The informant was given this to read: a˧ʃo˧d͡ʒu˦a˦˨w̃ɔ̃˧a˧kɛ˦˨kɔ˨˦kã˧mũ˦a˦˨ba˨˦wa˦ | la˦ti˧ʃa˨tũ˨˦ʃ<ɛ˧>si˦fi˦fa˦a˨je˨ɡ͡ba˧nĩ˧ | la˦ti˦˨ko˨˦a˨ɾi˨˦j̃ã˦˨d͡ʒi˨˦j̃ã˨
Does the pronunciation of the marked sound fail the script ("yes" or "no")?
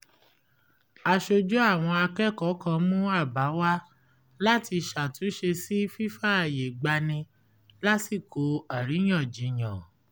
yes